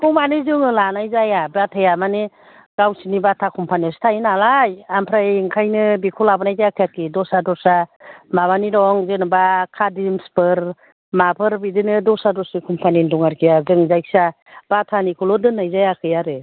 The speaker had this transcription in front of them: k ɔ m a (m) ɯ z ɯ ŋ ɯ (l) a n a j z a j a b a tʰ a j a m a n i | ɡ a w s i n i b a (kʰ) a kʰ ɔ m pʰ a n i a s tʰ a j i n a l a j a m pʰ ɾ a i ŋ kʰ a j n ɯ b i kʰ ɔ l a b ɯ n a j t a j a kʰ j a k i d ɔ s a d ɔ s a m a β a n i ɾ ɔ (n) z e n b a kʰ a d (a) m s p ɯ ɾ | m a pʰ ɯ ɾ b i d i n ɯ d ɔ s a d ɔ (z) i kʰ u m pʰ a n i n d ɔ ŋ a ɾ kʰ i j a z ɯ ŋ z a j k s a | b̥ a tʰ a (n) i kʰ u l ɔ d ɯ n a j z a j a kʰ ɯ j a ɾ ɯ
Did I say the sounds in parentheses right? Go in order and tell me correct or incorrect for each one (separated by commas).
incorrect, correct, incorrect, incorrect, incorrect, incorrect, correct